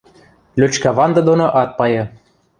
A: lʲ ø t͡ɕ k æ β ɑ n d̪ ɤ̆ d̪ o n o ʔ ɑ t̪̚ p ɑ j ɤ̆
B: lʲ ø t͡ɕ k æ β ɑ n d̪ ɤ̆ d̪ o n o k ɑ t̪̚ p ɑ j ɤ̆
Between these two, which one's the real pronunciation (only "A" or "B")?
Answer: A